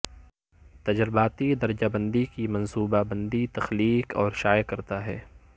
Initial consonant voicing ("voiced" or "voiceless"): voiceless